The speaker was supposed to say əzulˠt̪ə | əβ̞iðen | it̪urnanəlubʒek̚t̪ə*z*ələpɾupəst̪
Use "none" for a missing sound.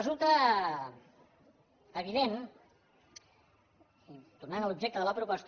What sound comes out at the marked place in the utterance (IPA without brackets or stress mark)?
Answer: ð